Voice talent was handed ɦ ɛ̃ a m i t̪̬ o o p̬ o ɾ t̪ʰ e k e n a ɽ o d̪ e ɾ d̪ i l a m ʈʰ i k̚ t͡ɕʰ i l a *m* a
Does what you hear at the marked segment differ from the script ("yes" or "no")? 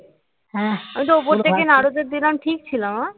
no